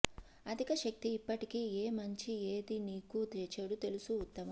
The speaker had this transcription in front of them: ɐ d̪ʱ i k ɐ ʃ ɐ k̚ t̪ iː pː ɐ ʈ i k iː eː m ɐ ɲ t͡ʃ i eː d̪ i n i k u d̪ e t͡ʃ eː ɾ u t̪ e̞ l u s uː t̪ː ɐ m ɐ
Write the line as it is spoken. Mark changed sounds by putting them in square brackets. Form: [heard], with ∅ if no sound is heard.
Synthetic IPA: ɐ d̪ʱ i k ɐ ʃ ɐ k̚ t̪ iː pː ɐ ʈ i k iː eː m ɐ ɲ t͡ʃ i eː d̪ i n [iː] k u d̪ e t͡ʃ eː [ɽ] u t̪ e̞ l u s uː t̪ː ɐ m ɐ

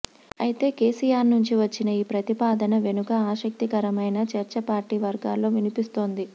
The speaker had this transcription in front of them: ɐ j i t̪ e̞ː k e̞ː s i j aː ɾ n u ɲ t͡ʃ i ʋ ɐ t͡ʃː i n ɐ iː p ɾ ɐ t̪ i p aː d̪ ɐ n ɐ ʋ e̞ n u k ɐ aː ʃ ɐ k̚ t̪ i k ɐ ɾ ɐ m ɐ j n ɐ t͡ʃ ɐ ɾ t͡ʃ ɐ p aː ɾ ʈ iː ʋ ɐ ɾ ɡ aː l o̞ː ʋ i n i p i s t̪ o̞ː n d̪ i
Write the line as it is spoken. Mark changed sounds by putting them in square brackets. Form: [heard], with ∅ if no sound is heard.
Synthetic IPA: ɐ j i t̪ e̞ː k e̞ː s i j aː ɾ n u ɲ t͡ʃ i ʋ ɐ t͡ʃː i n ɐ iː p ɾ ɐ t̪ i p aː d̪ ɐ n ɐ ʋ e̞ n u k ɐ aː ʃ ɐ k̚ t̪ i k ɐ ɾ ɐ m ɐ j n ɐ t͡ʃ ɐ ɾ t͡ʃ ɐ p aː ɾ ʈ iː ʋ ɐ ɾ ɡ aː l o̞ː ʋ i n i p i s t̪ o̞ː n d̪ i

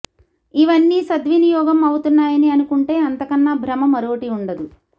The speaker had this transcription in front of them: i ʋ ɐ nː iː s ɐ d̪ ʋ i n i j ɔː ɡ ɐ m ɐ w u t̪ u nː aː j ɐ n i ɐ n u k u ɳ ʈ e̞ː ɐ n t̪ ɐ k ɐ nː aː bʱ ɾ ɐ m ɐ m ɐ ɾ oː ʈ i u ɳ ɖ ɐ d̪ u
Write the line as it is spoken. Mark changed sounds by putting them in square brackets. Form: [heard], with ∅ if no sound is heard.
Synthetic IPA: i ʋ ɐ nː iː s ɐ d̪ ʋ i n i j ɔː ɡ ɐ m ɐ w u t̪ u nː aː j ɐ n i ɐ n u k u ɳ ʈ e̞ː ɐ n t̪ ɐ k ɐ nː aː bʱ ɾ ɐ m ɐ m ɐ ɾ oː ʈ i u ɳ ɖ ɐ d̪ u

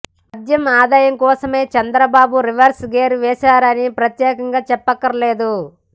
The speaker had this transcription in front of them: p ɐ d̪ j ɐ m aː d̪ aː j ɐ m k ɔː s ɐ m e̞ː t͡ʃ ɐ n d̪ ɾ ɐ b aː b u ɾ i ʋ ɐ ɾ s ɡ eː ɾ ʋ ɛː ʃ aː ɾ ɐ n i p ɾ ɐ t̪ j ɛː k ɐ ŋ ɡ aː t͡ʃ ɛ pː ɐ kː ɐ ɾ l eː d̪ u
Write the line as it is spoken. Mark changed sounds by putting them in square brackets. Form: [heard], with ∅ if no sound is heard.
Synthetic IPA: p ɐ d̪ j ɐ m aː d̪ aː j ɐ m k ɔː s ɐ m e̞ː t͡ʃ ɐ n d̪ ɾ ɐ b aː b u ɾ i ʋ ɐ ɾ s ɡ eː ɾ ʋ ɛː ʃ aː ɾ ɐ n i p ɾ ɐ t̪ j ɛː k ɐ ŋ ɡ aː t͡ʃ ɛ pː ɐ kː ɐ ɾ l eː d̪ u

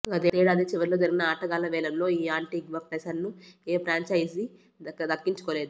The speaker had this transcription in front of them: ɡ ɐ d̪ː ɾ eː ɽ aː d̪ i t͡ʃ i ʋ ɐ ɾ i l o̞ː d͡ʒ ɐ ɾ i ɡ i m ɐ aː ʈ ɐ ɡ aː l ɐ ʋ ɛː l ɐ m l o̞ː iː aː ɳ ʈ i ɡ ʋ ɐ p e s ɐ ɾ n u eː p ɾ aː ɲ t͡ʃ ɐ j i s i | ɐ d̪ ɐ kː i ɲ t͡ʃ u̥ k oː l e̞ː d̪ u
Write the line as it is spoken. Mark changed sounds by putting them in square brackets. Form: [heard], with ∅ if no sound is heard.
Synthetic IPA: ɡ ɐ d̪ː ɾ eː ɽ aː d̪ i t͡ʃ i ʋ ɐ ɾ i l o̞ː d͡ʒ ɐ ɾ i ɡ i [n] ɐ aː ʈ ɐ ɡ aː l ɐ ʋ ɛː l ɐ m l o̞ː iː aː ɳ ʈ i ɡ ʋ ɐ p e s ɐ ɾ n u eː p ɾ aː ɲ t͡ʃ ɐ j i s i | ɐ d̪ ɐ kː i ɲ t͡ʃ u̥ k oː l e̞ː d̪ u

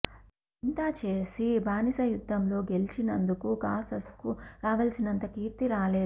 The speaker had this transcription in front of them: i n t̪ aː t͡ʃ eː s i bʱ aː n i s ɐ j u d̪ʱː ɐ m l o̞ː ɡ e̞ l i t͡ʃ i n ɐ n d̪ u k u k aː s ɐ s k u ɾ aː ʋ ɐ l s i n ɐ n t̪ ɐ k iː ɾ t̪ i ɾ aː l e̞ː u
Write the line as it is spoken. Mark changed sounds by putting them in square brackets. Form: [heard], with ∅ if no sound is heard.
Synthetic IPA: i n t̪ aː t͡ʃ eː s i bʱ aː n i s ɐ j u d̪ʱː ɐ m l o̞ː ɡ e̞ l i t͡ʃ i n ɐ n d̪ u k u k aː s ɐ s k u ɾ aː ʋ ɐ l s i n ɐ n t̪ ɐ k iː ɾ t̪ i ɾ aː l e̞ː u

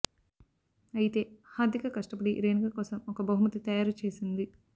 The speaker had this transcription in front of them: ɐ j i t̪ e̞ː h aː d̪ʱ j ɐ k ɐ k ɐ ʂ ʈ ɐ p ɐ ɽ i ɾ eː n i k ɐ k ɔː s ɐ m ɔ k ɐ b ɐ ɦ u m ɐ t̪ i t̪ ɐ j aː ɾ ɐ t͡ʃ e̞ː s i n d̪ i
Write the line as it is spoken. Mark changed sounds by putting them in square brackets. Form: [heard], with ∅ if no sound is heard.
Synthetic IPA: ɐ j i t̪ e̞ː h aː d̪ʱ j ɐ k ɐ k ɐ ʂ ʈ ɐ p ɐ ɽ i ɾ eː n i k ɐ k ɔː s ɐ m ɔ k ɐ b ɐ ɦ u m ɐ t̪ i t̪ ɐ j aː ɾ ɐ t͡ʃ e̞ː s i n d̪ i

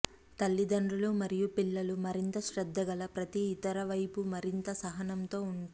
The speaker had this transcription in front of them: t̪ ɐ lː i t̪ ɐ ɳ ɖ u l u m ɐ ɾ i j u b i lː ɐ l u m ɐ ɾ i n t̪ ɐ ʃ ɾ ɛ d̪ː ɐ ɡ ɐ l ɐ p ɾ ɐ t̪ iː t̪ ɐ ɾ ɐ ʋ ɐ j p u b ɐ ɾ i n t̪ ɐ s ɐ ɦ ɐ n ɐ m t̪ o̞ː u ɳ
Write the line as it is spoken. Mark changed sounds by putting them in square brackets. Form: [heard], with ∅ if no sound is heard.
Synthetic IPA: t̪ ɐ lː i [d̪] ɐ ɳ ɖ u l u m ɐ ɾ i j u [p] i lː ɐ l u m ɐ ɾ i n t̪ ɐ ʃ ɾ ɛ d̪ː ɐ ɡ ɐ l ɐ p ɾ ɐ t̪ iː t̪ ɐ ɾ ɐ ʋ ɐ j p u [m] ɐ ɾ i n t̪ ɐ s ɐ ɦ ɐ n ɐ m t̪ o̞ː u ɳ

